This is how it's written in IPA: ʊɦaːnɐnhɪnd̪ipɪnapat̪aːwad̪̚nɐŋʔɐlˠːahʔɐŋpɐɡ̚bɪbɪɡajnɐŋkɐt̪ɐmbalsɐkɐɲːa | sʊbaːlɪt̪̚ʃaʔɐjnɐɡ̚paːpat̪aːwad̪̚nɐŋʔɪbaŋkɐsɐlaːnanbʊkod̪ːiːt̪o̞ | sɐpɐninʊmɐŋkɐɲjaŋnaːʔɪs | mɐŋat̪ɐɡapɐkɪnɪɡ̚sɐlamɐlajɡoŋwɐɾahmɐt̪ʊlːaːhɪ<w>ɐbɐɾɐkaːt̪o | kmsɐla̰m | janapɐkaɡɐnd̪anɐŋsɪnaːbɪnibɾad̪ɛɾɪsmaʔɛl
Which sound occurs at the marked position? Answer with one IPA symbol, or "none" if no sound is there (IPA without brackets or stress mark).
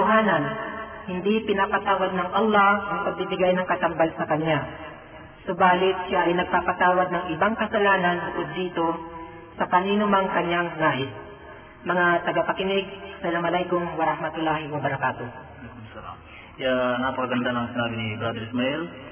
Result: w